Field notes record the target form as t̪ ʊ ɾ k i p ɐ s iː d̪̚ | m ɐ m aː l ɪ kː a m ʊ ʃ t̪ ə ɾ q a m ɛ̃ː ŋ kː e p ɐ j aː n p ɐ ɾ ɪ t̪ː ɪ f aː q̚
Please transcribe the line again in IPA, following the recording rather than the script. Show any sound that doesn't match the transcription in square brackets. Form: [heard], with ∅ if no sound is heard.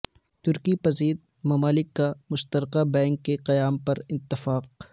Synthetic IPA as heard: t̪ ʊ ɾ k i p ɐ [z] iː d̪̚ | m ɐ m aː l ɪ kː a m ʊ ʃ t̪ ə ɾ q a [b] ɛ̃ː ŋ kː e [q] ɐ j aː [m] p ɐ ɾ ɪ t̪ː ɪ f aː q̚